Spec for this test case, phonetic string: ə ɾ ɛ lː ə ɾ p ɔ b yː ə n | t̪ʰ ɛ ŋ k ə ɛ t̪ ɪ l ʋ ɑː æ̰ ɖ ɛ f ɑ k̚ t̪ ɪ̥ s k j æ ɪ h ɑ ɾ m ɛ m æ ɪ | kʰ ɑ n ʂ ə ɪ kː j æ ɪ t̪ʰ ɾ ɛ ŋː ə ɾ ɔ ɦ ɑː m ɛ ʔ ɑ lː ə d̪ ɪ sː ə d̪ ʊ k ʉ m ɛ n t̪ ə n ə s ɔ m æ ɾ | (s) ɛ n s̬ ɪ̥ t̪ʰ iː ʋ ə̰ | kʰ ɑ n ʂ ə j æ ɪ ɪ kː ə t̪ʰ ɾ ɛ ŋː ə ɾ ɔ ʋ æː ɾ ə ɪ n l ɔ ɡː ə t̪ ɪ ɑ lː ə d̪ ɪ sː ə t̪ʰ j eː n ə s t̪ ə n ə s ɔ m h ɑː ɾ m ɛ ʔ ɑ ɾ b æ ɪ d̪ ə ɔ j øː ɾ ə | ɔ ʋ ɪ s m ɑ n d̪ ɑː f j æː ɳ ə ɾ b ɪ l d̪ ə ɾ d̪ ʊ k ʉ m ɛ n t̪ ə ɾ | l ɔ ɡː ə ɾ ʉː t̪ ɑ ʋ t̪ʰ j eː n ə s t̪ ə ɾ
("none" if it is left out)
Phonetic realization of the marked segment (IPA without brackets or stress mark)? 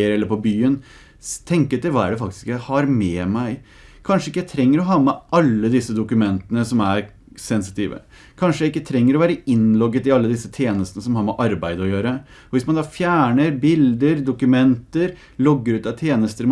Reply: s